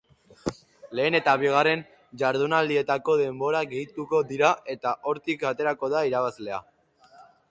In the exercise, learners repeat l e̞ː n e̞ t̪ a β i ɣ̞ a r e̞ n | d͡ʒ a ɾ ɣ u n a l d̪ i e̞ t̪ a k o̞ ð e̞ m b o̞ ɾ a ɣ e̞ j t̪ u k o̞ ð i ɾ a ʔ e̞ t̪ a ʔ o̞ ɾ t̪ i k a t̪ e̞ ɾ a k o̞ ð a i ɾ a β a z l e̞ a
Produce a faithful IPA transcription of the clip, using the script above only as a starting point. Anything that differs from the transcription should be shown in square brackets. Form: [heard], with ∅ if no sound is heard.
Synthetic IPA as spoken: l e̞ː n e̞ t̪ a β i ɣ̞ a r e̞ n | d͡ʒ a ɾ [ð] u n a l d̪ i e̞ t̪ a k o̞ ð e̞ m b o̞ ɾ a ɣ e̞ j t̪ u k o̞ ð i ɾ a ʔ e̞ t̪ a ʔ o̞ ɾ t̪ i k a t̪ e̞ ɾ a k o̞ ð a i ɾ a β a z l e̞ a